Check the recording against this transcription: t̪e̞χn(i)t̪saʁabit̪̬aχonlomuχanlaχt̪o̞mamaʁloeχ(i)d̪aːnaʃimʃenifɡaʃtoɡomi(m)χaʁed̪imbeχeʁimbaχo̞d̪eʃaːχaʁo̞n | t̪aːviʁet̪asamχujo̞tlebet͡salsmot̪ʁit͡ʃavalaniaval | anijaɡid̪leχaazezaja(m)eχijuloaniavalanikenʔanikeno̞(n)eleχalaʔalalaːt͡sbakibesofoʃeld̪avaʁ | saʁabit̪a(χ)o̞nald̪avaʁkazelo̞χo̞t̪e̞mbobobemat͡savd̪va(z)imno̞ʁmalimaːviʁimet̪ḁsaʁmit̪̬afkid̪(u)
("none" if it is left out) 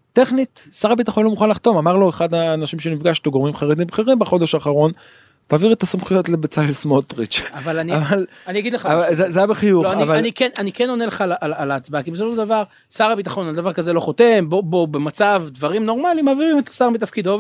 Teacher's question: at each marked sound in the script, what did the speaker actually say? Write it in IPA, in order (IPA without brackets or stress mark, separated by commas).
i, a, m, b, n, χ, ʁ, o